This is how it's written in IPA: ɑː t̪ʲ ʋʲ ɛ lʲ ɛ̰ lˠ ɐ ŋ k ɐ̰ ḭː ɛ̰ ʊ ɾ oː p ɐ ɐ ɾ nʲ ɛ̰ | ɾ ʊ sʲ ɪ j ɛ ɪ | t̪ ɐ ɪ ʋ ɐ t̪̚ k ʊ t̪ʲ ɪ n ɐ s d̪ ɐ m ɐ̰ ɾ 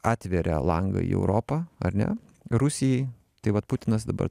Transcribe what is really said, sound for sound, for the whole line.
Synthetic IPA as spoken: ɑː t̪ʲ ʋʲ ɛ ɾʲ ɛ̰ lˠ ɐ ŋ ɡ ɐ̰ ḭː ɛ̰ ʊ ɾ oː p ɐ ɐ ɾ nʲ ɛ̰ | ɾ ʊ sʲ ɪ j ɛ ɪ | t̪ ɐ ɪ ʋ ɐ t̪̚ p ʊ t̪ʲ ɪ n ɐ s d̪ ɐ b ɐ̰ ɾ

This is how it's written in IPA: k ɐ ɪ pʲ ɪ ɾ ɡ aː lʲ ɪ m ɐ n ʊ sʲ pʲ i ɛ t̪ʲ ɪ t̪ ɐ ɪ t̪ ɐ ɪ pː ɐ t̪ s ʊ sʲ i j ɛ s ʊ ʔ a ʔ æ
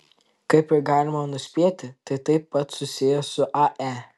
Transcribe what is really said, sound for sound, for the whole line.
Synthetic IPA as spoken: k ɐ ɪ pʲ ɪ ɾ ɡ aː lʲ ɪ m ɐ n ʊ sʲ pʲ i ɛ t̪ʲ ɪ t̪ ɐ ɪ t̪ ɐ ɪ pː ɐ t̪ s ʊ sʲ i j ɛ s ʊ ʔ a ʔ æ

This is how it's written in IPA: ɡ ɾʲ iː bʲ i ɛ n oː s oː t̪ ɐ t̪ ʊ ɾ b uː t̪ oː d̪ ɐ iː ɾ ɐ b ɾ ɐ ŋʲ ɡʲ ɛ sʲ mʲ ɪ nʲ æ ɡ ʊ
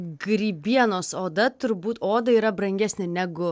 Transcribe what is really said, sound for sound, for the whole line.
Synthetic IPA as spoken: ɡ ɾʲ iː bʲ i ɛ n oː s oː d̪ ɐ t̪ ʊ ɾ b uː t̪ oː d̪ ɐ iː ɾ ɐ b ɾ ɐ ŋʲ ɡʲ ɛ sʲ nʲ ɪ nʲ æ ɡ ʊ

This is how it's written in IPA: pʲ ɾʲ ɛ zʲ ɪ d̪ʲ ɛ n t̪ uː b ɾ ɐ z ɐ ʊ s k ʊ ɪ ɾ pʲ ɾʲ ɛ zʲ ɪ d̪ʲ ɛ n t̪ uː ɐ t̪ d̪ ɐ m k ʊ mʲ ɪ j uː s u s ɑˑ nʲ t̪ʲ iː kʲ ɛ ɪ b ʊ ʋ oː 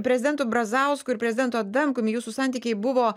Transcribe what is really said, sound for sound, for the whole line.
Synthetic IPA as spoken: pʲ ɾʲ ɛ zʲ ɪ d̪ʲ ɛ n t̪ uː b ɾ ɐ z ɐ ʊ s k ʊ ɪ ɾ pʲ ɾʲ ɛ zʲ ɪ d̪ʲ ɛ n t̪ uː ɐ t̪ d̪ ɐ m k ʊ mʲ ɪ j uː s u s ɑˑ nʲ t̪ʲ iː kʲ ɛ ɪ b ʊ ʋ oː

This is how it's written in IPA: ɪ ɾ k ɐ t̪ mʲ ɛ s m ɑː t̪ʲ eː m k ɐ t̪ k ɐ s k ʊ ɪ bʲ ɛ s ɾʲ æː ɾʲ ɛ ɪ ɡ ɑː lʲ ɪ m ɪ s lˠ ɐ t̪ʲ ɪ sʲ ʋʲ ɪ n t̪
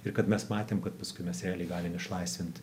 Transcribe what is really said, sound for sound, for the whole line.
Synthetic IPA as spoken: ɪ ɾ k ɐ t̪ mʲ ɛ s m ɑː t̪ʲ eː m k ɐ t̪ p ɐ s k ʊ ɪ mʲ ɛ s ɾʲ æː lʲ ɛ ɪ ɡ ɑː lʲ ɪ m ɪ ʃ lˠ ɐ ɪ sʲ ʋʲ ɪ n t̪

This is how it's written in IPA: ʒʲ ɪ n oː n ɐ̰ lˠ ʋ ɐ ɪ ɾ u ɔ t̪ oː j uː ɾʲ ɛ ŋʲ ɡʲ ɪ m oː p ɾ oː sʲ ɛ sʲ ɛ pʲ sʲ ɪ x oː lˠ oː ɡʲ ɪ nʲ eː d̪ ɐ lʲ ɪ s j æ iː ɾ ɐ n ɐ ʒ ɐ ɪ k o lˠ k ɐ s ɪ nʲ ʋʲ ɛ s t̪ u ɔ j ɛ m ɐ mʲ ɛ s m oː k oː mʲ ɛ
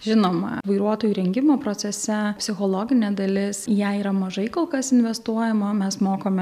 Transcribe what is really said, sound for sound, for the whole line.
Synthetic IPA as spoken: ʒʲ ɪ n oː m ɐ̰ ʋ ɐ ɪ ɾ u ɔ t̪ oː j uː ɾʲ ɛ ŋʲ ɡʲ ɪ m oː p ɾ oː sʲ ɛ sʲ ɛ pʲ sʲ ɪ x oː lˠ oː ɡʲ ɪ nʲ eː d̪ ɐ lʲ ɪ s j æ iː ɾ ɐ m ɐ ʒ ɐ ɪ k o lˠ k ɐ s ɪ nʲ ʋʲ ɛ s t̪ u ɔ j ɛ m ɐ mʲ ɛ s m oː k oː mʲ ɛ

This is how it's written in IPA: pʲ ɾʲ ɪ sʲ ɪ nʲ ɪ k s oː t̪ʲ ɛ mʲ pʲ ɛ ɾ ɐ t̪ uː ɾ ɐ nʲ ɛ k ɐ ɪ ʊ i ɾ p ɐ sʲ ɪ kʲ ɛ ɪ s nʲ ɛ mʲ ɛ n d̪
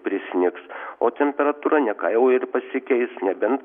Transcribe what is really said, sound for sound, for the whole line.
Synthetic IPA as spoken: pʲ ɾʲ ɪ sʲ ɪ nʲ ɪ k s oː t̪ʲ ɛ mʲ pʲ ɛ ɾ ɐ t̪ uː ɾ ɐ nʲ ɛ k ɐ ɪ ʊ ɪ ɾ p ɐ sʲ ɪ kʲ ɛ ɪ s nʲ ɛ bʲ ɛ n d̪

